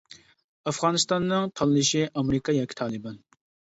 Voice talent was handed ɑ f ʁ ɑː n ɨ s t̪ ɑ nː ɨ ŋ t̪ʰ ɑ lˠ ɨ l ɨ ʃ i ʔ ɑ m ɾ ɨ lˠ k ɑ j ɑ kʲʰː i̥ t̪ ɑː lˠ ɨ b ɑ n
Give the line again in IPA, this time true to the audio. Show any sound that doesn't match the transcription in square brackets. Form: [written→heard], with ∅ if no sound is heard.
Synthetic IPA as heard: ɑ f ʁ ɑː n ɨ s t̪ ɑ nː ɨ ŋ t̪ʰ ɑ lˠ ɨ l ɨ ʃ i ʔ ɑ m ɾ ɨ [lˠ→∅] k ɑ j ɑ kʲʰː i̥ [t̪→t̪ʰ] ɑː lˠ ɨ b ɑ n